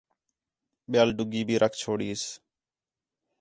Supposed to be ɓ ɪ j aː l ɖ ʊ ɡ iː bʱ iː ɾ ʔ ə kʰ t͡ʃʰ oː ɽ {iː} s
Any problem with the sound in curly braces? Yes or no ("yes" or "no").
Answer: no